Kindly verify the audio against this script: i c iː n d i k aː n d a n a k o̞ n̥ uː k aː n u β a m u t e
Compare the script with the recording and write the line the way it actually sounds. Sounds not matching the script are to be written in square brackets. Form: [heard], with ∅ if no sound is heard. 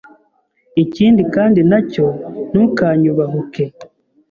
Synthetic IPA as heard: i c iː n d i k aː n d [i] n a [c] o̞ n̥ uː k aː [ɲ] u β a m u [k] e